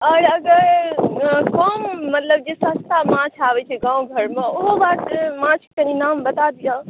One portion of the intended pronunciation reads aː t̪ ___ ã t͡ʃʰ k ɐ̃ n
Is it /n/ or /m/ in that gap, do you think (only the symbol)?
m